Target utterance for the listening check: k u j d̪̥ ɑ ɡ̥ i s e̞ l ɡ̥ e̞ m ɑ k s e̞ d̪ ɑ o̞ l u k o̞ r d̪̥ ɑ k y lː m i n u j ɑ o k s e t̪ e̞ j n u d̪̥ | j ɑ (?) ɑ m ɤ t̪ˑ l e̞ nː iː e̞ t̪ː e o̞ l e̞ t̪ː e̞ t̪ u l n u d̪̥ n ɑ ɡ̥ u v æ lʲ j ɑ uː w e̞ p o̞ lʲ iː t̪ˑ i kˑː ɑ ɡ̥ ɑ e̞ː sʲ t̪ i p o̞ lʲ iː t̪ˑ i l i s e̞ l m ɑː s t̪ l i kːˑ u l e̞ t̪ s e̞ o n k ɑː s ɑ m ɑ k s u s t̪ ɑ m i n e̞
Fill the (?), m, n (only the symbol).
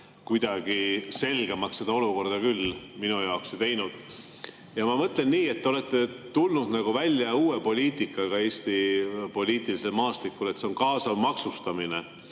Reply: m